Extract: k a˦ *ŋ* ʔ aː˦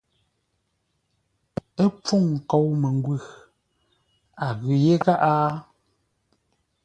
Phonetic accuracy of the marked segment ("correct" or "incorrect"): incorrect